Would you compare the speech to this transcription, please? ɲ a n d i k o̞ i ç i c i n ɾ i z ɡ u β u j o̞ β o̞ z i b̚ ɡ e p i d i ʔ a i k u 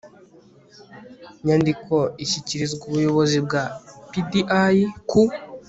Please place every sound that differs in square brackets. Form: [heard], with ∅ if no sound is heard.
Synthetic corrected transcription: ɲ a n d i k o̞ i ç i c i [∅] ɾ i z ɡ u β u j o̞ β o̞ z i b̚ ɡ [a] p i d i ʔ a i k u